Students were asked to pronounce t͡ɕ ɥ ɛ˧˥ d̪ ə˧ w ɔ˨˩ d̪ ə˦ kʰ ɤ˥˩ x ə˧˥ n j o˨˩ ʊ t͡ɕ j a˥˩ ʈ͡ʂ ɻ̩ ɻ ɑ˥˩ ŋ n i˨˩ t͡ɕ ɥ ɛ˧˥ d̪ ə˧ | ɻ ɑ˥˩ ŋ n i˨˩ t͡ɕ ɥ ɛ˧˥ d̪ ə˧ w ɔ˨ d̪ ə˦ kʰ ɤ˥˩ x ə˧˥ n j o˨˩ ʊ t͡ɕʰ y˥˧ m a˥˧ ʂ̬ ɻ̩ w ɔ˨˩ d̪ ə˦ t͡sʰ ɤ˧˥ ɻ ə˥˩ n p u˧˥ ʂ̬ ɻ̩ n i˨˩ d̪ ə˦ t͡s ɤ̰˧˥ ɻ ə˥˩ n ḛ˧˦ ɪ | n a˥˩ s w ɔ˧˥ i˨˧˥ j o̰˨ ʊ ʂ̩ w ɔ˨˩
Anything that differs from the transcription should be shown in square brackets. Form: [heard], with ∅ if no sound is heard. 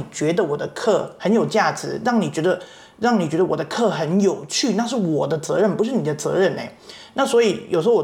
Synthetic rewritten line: t͡ɕ ɥ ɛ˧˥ d̪ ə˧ w ɔ˨˩ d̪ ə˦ kʰ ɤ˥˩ x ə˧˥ n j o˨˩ ʊ t͡ɕ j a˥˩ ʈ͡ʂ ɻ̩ ɻ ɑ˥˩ ŋ n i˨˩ t͡ɕ ɥ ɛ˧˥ d̪ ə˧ | ɻ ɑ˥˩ ŋ n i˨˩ t͡ɕ ɥ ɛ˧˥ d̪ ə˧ w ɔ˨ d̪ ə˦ kʰ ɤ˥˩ x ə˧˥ n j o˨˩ ʊ t͡ɕʰ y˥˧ [n] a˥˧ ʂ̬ ɻ̩ w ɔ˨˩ d̪ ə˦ [t͡s] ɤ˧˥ ɻ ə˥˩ n p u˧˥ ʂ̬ ɻ̩ n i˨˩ d̪ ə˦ t͡s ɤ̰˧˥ ɻ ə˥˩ n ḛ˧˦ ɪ | n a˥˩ s w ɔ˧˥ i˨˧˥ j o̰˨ ʊ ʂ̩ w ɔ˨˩